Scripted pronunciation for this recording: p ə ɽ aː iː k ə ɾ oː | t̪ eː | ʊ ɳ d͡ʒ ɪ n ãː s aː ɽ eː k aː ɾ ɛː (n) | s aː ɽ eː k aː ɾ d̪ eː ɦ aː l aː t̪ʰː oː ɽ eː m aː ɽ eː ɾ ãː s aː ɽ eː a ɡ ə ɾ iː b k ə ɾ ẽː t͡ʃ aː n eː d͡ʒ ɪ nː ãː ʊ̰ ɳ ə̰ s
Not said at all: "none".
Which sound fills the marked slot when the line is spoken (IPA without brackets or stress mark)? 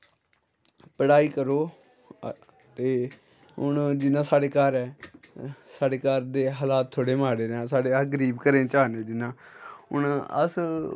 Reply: none